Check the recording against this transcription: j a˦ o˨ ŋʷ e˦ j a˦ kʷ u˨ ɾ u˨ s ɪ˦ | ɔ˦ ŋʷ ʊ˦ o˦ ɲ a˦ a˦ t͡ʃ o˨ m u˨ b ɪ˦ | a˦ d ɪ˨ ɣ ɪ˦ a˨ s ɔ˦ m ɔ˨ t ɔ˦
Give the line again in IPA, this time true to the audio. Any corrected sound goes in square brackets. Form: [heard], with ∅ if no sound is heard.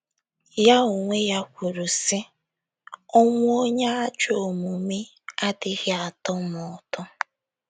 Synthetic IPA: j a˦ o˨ ŋʷ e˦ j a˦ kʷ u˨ ɾ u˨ s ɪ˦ | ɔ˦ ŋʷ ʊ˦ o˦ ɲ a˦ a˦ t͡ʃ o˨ m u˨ [m] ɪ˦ | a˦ d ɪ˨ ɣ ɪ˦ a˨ [t] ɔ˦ m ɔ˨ t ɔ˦

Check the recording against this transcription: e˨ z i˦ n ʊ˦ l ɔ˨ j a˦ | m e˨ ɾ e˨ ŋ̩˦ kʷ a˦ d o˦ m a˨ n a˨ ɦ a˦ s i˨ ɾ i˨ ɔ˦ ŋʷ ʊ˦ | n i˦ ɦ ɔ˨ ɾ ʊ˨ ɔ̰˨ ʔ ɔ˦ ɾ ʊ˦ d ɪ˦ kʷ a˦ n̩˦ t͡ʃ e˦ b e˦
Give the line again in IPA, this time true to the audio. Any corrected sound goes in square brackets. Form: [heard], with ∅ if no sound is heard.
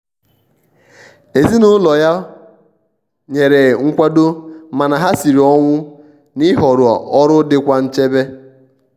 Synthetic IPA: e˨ z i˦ n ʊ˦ l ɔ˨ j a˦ | [ɲ] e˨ ɾ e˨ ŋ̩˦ kʷ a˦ d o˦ m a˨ n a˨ ɦ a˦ s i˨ ɾ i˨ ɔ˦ ŋʷ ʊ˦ | n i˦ ɦ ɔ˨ ɾ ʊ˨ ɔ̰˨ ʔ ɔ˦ ɾ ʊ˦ d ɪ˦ kʷ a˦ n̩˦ t͡ʃ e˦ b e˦

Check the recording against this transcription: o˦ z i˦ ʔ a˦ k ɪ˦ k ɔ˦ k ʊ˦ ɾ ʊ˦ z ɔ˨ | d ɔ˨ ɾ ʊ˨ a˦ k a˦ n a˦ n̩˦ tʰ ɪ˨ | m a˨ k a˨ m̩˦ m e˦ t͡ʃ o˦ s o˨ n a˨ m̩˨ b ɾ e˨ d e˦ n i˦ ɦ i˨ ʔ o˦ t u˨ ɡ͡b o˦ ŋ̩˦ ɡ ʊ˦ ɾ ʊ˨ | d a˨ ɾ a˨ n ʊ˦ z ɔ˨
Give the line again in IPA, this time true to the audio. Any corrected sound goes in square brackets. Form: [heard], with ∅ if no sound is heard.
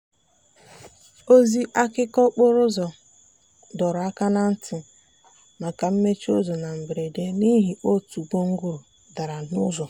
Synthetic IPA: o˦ z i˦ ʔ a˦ k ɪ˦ k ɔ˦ [k͡p] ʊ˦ ɾ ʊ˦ z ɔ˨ | d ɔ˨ ɾ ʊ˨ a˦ k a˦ n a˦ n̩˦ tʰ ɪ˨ | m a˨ k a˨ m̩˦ m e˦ t͡ʃ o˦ [z] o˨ n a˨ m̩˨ b ɾ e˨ d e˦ n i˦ ɦ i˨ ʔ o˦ t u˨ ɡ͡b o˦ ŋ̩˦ ɡ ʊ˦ ɾ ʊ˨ | d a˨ ɾ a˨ n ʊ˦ z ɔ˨

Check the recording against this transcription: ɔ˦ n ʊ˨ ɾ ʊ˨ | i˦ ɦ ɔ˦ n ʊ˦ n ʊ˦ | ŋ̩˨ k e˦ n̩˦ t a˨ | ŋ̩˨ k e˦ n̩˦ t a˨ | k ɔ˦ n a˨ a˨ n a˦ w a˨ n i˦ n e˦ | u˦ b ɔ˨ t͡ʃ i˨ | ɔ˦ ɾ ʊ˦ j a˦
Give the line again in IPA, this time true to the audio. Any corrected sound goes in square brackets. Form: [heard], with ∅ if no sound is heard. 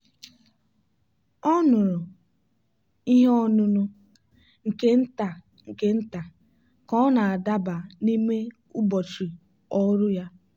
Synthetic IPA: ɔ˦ n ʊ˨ ɾ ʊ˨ | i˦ ɦ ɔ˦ n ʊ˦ n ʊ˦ | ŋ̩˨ k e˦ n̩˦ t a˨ | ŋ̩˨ k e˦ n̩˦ t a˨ | k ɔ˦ n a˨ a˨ [d] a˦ [b] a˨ n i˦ [m] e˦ | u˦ b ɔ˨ t͡ʃ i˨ | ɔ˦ ɾ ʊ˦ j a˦

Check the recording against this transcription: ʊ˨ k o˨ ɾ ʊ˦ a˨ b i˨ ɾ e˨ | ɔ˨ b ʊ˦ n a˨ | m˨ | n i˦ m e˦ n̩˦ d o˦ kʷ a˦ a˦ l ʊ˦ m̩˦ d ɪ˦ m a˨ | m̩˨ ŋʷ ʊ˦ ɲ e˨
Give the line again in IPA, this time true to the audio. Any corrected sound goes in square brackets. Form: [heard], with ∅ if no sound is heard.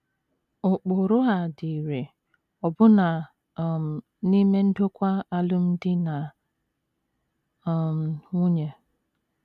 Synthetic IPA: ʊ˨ [k͡p] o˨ ɾ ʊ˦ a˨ [d] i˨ ɾ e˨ | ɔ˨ b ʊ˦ n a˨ | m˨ | n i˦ m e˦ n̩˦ d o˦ kʷ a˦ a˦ l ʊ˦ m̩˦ d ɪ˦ [n] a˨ | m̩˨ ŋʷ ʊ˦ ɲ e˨

